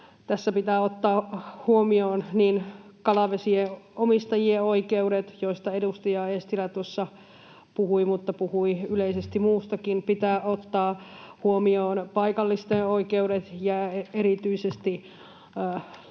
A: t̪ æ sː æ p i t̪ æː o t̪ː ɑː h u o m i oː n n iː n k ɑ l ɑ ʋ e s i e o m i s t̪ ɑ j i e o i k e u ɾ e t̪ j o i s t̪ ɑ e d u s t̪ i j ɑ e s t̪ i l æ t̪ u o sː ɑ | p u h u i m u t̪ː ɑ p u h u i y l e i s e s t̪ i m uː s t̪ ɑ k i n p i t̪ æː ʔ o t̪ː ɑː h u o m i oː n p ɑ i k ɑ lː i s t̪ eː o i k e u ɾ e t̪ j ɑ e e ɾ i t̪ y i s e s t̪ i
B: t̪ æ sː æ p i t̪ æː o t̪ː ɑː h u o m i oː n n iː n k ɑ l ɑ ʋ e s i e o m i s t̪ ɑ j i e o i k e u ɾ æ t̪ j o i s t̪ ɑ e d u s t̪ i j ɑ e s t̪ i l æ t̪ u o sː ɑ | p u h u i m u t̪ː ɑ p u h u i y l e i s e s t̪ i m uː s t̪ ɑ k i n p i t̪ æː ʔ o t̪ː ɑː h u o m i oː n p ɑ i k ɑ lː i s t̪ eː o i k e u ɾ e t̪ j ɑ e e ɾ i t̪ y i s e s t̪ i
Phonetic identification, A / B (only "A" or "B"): A